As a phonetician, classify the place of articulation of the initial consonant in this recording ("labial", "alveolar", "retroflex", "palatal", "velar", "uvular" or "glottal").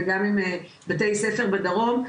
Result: velar